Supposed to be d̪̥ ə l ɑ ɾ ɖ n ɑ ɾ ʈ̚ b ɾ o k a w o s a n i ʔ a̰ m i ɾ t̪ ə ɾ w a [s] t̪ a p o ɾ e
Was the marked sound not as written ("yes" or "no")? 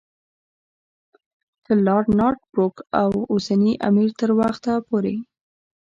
yes